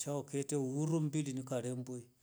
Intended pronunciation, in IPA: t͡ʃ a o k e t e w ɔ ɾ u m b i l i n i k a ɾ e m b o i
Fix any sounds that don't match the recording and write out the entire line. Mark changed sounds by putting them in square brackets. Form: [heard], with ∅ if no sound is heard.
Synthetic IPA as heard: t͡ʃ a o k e t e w [u] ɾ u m b i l i n i k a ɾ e m b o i